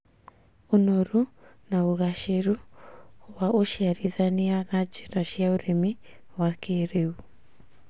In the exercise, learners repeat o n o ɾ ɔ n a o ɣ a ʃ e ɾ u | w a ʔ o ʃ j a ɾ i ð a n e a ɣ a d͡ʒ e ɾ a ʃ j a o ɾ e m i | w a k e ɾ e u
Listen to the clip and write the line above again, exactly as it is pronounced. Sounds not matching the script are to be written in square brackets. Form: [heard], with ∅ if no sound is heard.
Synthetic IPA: o n o ɾ [u] n a o ɣ a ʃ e ɾ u | w a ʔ o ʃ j a ɾ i ð a n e a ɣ a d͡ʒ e ɾ a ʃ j a o ɾ e m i | w a k e ɾ e u